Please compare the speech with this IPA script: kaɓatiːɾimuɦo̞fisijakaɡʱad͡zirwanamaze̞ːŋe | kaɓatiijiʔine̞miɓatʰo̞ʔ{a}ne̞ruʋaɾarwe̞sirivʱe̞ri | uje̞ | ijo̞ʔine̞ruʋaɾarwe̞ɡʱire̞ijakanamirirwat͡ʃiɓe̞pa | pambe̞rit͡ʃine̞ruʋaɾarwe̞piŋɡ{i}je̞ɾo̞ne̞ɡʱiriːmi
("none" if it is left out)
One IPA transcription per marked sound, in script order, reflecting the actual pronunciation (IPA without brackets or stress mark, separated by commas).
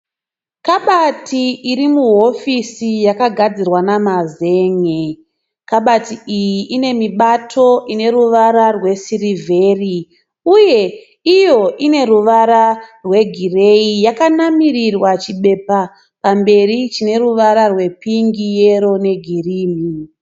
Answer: i, i